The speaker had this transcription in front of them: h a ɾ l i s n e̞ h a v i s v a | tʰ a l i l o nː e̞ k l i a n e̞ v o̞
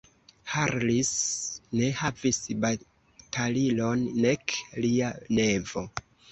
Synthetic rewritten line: h a ɾ l i s n e̞ h a v i s b a | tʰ a l i l o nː e̞ k l i a n e̞ v o̞